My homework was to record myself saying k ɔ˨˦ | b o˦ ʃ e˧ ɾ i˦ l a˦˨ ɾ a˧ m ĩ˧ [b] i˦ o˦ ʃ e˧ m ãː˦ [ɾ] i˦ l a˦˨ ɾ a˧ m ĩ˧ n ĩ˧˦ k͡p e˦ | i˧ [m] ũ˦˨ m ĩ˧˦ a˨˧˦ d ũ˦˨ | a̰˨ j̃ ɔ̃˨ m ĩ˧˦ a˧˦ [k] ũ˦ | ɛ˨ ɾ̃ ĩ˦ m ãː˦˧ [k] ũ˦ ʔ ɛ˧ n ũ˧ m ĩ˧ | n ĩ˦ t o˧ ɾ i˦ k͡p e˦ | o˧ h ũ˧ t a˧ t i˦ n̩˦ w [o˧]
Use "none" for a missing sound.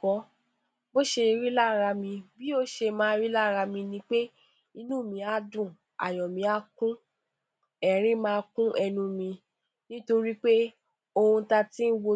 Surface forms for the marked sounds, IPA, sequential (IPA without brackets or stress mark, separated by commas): b, ɾ, n, k, k, o˧